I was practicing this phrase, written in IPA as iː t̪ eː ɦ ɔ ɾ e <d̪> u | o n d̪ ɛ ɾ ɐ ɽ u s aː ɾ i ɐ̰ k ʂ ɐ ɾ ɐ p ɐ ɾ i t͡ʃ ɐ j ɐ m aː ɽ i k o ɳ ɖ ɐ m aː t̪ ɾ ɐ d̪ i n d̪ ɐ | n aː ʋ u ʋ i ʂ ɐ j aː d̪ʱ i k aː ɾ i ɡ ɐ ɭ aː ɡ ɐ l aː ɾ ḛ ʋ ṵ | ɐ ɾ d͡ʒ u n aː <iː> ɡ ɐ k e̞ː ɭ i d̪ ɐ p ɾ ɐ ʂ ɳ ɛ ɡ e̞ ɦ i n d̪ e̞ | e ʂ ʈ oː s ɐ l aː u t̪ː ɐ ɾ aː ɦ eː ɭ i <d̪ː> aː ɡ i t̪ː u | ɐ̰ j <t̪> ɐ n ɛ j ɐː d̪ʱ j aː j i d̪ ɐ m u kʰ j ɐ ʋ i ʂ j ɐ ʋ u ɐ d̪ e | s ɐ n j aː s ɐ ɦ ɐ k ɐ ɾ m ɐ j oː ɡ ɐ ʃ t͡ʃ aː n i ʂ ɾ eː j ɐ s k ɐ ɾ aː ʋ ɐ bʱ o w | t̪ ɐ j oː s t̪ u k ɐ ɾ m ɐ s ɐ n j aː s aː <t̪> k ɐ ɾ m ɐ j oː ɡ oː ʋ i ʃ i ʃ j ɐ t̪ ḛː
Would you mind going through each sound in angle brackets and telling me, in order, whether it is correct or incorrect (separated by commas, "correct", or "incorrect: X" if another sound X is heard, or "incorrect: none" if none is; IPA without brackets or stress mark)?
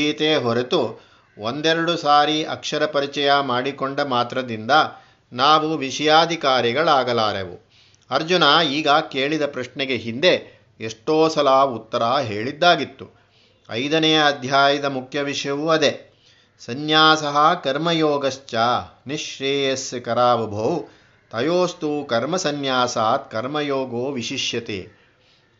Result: incorrect: t̪, correct, correct, incorrect: d̪, correct